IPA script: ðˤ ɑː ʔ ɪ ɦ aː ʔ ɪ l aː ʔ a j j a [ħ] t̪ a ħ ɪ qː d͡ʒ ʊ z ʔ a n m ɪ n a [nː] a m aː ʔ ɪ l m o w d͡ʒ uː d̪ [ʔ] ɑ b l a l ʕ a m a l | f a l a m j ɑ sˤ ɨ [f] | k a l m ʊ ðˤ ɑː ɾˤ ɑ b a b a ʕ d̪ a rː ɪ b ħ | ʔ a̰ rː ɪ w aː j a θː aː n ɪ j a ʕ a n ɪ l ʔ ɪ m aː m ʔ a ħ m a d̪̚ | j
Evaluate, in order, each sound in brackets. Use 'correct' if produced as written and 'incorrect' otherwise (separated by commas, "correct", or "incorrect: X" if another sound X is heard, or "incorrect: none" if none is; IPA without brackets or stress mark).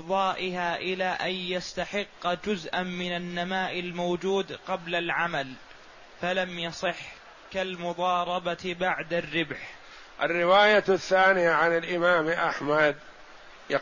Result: incorrect: s, correct, incorrect: q, incorrect: ħ